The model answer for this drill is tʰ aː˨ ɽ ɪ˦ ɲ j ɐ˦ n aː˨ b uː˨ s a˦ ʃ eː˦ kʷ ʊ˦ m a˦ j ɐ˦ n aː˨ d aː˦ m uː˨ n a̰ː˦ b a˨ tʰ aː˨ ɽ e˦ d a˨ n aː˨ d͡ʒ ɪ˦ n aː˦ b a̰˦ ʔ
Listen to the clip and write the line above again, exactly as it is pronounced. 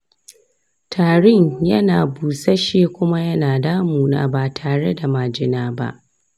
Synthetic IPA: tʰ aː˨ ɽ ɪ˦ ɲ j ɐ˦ n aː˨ b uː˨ s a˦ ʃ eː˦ kʷ ʊ˦ m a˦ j ɐ˦ n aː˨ d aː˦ m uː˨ n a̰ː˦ b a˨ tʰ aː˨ ɽ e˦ d a˨ m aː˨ d͡ʒ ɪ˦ n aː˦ b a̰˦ ʔ